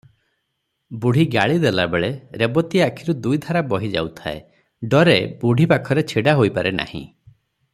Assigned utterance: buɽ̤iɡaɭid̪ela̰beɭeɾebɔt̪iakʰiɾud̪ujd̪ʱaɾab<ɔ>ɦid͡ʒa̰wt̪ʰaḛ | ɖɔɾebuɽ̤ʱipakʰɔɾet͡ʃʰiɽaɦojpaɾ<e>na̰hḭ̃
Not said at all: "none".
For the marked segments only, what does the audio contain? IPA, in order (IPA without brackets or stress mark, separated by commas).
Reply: ɔ, e